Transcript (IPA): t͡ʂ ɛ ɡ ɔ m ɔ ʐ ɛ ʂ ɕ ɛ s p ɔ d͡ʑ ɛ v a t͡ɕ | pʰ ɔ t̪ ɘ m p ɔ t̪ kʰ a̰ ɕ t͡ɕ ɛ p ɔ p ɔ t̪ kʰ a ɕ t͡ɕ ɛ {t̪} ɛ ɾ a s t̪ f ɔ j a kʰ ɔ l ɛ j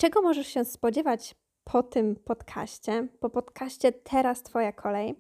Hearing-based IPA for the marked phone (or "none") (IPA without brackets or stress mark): t̪ʰ